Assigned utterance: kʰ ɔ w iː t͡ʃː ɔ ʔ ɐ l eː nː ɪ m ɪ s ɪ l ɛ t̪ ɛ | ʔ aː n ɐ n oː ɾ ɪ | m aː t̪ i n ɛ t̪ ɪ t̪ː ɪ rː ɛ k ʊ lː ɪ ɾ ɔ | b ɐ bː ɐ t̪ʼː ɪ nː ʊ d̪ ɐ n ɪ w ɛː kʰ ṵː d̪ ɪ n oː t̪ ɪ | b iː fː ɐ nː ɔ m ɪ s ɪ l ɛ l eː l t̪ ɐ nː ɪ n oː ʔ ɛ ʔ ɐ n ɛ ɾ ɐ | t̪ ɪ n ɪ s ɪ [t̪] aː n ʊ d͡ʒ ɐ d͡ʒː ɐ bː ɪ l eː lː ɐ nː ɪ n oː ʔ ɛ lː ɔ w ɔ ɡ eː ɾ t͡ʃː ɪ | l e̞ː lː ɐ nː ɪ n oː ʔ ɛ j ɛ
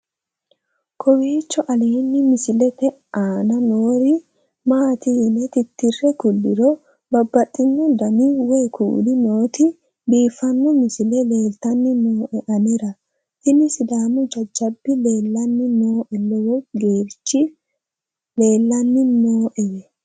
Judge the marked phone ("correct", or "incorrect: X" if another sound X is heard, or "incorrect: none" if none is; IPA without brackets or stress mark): incorrect: d̪